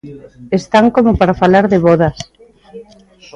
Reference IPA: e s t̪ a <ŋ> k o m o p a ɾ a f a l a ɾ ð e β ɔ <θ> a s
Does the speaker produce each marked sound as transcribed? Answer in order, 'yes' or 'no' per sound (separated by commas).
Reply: yes, no